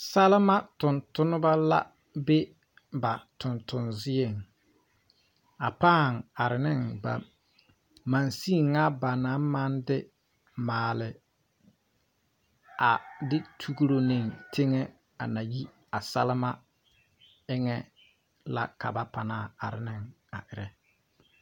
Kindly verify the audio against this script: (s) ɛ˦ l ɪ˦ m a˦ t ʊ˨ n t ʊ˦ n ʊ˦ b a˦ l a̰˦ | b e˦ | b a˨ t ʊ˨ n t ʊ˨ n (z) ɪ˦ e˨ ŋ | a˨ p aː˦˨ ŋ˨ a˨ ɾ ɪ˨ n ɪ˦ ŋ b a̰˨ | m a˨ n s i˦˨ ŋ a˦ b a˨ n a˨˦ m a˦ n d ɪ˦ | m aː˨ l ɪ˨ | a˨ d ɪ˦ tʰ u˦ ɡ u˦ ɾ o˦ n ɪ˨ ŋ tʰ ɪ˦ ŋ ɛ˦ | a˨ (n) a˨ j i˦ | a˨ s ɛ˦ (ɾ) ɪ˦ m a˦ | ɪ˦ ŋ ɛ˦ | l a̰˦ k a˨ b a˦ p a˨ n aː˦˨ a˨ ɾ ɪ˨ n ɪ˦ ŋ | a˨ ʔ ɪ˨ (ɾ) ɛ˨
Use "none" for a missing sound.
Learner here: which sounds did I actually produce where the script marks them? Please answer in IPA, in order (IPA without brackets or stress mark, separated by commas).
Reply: s, z, n, l, ɾ